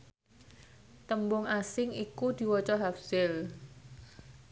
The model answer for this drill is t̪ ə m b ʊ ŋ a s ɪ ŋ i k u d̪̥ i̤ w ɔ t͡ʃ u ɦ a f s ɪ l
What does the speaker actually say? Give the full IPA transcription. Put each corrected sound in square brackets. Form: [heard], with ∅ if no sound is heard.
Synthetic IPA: t̪ ə m b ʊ ŋ a s ɪ ŋ i k u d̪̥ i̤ w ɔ t͡ʃ [ɔ] ɦ a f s ɪ l